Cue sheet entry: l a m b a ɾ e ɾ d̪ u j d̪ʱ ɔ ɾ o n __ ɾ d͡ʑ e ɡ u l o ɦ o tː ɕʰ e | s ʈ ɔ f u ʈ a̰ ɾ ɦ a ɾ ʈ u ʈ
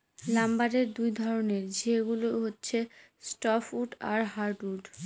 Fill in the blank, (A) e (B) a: A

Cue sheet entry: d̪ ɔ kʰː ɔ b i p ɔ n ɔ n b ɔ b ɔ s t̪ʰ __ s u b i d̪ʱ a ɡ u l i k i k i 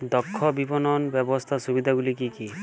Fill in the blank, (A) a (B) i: A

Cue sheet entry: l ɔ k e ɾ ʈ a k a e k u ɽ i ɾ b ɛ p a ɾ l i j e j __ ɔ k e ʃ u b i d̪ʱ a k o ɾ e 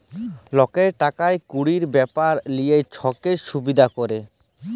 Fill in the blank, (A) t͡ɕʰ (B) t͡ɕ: A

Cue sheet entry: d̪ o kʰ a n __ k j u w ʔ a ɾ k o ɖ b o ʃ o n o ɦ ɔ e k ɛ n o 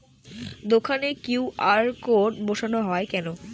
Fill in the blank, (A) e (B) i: A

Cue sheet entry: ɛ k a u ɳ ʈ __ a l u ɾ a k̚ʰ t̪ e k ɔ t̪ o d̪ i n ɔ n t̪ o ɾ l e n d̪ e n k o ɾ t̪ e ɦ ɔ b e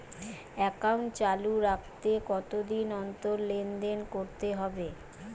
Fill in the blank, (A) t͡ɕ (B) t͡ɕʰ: A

